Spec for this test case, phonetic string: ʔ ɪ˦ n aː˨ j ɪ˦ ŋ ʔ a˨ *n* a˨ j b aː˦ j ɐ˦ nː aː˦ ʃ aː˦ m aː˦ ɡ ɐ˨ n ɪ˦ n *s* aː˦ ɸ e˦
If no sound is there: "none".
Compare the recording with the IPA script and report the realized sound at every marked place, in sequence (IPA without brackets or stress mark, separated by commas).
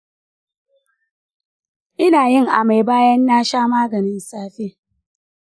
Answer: m, s